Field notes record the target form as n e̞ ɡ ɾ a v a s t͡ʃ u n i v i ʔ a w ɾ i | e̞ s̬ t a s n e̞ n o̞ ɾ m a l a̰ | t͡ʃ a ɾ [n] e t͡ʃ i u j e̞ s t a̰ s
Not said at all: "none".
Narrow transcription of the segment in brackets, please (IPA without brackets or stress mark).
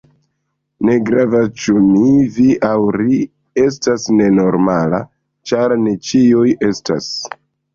n